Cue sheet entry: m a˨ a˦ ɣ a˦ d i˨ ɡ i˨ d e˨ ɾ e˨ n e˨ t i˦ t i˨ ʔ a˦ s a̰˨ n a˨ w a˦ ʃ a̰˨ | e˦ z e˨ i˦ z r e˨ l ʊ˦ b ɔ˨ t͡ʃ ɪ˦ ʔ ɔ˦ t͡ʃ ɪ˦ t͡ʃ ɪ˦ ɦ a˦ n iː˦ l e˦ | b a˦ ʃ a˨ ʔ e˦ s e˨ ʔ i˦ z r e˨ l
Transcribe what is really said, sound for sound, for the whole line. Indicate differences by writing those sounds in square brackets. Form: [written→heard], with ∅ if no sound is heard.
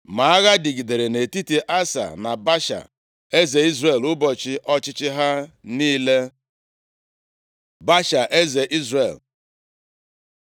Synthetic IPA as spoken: m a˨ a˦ ɣ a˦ d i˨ ɡ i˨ d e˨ ɾ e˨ n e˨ t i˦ t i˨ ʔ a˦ s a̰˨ n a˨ [w→b] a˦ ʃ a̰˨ | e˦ z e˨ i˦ z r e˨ l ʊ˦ b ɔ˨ t͡ʃ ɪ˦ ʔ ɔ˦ t͡ʃ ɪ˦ t͡ʃ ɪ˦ ɦ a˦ n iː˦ l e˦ | b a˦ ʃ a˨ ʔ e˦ [s→z] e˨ ʔ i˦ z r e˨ l